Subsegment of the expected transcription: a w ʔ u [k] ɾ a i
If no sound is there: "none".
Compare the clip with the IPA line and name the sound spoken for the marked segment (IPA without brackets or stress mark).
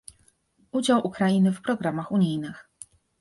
k